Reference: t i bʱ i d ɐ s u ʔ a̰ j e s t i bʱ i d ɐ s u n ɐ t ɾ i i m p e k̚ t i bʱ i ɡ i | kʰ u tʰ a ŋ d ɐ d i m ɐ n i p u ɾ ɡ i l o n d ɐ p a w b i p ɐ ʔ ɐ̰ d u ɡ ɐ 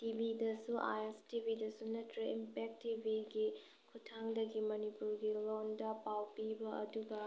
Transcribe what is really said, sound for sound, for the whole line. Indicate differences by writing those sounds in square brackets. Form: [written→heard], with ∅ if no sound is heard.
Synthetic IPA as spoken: t i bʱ i d ɐ s u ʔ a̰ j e s t i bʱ i d ɐ s u n ɐ t ɾ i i m p e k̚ t i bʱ i ɡ i | kʰ u tʰ a ŋ d ɐ [d→ɡ] i m ɐ n i p u ɾ ɡ i l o n d ɐ p a w [b→p] i [p→b] ɐ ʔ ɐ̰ d u ɡ ɐ